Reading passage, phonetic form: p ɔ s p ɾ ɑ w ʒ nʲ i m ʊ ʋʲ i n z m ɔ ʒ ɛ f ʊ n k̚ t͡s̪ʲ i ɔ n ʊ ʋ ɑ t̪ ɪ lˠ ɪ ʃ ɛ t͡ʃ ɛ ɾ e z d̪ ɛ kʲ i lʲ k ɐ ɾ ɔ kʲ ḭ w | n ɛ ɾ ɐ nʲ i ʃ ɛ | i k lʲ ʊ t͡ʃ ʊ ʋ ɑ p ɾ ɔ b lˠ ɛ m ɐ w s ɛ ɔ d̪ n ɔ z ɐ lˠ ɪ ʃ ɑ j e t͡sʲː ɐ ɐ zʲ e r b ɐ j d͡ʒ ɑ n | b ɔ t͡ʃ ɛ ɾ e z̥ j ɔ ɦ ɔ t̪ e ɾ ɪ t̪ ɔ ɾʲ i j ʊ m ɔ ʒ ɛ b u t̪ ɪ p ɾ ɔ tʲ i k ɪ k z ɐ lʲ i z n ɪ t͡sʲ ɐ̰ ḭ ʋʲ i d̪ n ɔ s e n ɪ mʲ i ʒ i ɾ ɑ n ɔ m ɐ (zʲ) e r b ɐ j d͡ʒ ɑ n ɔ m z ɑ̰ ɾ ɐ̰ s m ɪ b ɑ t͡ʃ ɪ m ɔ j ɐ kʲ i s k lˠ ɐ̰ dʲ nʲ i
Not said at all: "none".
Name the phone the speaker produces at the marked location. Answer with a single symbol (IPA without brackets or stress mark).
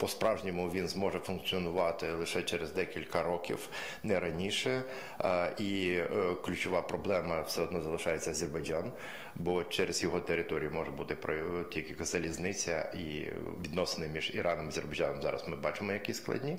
zʲ